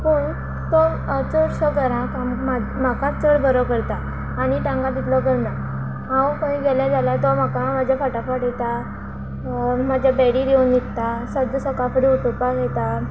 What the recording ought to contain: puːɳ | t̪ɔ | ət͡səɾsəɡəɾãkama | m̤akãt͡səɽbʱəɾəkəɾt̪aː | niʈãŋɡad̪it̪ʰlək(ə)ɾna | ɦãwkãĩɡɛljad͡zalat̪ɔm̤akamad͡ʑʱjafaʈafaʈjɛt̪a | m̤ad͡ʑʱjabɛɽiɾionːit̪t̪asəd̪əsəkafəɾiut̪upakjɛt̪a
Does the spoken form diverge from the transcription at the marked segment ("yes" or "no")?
no